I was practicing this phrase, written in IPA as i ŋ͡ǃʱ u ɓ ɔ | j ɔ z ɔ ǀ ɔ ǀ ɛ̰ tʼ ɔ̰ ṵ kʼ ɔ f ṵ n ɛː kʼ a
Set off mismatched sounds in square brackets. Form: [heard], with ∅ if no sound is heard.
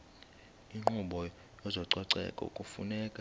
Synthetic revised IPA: i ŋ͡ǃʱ u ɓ ɔ | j ɔ z ɔ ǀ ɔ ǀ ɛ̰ [kʼ] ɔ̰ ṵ kʼ [u] f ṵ n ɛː kʼ a